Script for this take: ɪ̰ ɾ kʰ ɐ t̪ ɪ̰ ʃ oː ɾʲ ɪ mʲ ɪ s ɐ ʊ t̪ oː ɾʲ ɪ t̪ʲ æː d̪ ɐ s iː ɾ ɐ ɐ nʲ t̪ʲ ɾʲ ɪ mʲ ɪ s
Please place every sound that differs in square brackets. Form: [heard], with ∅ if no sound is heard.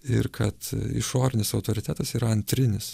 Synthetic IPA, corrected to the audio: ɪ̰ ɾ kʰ ɐ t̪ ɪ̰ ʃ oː ɾʲ ɪ [nʲ] ɪ s ɐ ʊ t̪ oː ɾʲ ɪ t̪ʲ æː [t̪] ɐ s iː ɾ ɐ ɐ nʲ t̪ʲ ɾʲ ɪ [nʲ] ɪ s